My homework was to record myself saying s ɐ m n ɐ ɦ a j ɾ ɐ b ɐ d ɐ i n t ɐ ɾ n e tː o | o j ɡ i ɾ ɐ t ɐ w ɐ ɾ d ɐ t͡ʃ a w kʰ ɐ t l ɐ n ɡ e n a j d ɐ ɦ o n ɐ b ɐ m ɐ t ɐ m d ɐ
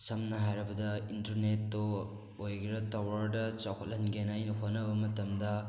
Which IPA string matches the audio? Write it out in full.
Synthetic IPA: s ɐ m n ɐ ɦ a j ɾ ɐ b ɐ d ɐ i n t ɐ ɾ n e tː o | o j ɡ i ɾ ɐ t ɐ w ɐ ɾ d ɐ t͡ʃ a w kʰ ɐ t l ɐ n ɡ e n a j n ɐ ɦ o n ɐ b ɐ m ɐ t ɐ m d ɐ